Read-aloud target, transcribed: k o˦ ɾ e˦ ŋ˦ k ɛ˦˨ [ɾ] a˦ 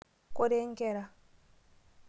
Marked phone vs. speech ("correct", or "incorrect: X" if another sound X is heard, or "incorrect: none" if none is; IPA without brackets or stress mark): correct